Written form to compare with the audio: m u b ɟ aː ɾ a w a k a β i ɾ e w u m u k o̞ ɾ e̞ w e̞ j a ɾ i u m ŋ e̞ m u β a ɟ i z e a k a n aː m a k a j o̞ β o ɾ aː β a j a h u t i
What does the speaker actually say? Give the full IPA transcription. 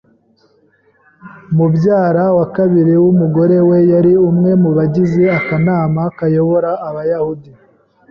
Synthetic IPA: m u b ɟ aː ɾ a w a k a β i ɾ i w u m u ɡ o̞ ɾ e̞ w e̞ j a ɾ i u m ŋ e̞ m u β a ɟ i z e a k a n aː m a k a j o̞ β o ɾ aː β a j a h u d i